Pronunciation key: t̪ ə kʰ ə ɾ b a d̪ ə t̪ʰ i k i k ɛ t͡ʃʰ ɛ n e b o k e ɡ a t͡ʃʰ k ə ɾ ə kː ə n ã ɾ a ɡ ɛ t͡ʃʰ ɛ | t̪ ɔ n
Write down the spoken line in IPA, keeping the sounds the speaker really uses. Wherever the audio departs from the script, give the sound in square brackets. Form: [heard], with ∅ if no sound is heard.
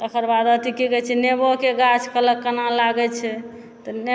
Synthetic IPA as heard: t̪ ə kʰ ə ɾ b a d̪ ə [t̪] i k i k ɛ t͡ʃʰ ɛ n e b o k e ɡ a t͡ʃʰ k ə [l] ə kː ə n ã [l] a ɡ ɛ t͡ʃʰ ɛ | t̪ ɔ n